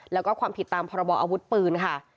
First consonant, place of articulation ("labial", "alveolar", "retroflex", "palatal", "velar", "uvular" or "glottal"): alveolar